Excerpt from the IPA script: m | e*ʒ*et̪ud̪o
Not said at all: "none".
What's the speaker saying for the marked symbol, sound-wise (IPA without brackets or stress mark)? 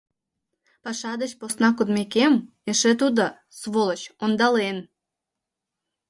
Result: ʃ